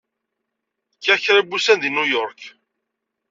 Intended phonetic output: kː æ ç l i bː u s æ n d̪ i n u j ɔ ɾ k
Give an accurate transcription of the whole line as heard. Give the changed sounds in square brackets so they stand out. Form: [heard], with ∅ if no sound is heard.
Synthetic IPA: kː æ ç [ɾ] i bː u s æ n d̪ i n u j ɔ ɾ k